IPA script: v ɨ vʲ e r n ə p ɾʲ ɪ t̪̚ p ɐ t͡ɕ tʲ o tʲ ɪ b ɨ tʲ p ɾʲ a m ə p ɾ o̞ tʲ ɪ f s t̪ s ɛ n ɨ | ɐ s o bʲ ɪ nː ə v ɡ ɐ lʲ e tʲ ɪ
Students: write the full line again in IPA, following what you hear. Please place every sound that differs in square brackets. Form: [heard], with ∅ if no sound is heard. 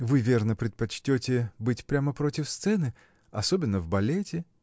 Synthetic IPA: v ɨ vʲ e r n ə p ɾʲ ɪ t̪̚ p ɐ t͡ɕ tʲ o tʲ ɪ b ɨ tʲ p ɾʲ a m ə p ɾ o̞ tʲ ɪ f s t̪ s ɛ n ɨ | ɐ s o bʲ ɪ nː ə v [b] ɐ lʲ e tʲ ɪ